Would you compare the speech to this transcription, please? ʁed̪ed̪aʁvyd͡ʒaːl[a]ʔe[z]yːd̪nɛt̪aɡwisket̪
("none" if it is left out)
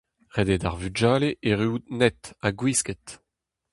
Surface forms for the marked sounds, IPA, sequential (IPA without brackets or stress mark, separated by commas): e, ʁ